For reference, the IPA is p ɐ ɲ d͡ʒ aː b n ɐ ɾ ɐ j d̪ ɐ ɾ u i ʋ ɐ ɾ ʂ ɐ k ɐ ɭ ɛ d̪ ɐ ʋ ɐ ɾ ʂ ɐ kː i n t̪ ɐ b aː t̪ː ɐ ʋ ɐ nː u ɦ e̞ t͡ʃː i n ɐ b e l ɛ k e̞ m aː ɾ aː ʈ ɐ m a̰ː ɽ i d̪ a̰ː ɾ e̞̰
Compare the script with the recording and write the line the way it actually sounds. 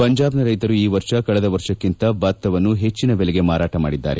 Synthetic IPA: p ɐ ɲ d͡ʒ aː b n ɐ ɾ ɐ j t̪ ɐ ɾ u iː ʋ ɐ ɾ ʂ ɐ k ɐ ɭ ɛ d̪ ɐ ʋ ɐ ɾ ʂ ɐ kː i n t̪ ɐ b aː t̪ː ɐ ʋ ɐ nː u ɦ e̞ t͡ʃː i n ɐ b e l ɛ ɡ e̞ m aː ɾ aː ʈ ɐ m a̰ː ɽ i d̪ː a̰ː ɾ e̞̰